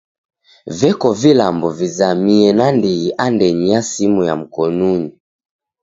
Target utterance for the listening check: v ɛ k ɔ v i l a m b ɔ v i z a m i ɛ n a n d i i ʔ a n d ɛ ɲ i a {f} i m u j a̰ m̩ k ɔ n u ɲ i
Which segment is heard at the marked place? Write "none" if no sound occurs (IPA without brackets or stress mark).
s